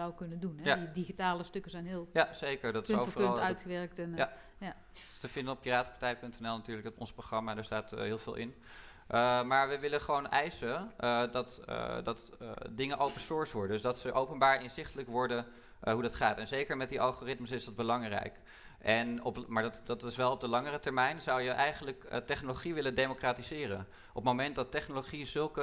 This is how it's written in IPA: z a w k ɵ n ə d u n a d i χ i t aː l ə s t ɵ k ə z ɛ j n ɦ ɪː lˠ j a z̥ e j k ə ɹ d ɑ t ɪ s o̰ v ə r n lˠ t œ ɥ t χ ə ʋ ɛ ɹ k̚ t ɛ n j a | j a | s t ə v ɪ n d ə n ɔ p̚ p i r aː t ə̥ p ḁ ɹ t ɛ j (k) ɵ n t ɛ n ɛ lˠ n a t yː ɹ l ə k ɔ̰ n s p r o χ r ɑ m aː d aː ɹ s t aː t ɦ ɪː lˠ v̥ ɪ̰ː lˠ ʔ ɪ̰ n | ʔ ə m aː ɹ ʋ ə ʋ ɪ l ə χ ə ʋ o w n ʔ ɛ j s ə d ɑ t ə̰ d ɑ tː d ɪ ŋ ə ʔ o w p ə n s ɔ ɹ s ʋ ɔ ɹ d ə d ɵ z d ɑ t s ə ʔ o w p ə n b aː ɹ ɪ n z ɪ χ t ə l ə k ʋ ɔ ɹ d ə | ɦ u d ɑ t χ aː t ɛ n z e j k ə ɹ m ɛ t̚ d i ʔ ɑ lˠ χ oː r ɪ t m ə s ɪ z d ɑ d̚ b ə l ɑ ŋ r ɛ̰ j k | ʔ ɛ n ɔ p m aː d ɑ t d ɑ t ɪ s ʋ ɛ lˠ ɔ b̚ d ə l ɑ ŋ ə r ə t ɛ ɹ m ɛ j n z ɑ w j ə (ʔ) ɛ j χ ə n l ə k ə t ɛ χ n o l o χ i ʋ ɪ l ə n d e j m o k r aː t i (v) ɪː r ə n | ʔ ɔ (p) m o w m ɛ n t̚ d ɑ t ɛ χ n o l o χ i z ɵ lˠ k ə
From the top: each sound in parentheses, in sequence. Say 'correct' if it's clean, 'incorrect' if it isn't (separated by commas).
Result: incorrect, correct, incorrect, correct